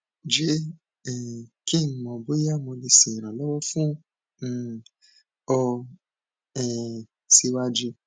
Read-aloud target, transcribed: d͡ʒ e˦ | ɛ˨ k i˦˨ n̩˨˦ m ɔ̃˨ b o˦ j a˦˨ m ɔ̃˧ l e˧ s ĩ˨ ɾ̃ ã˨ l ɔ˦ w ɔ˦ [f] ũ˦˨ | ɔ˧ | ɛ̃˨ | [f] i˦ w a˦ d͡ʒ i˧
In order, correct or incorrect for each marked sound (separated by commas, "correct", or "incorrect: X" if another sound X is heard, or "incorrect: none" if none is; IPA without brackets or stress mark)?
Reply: correct, incorrect: s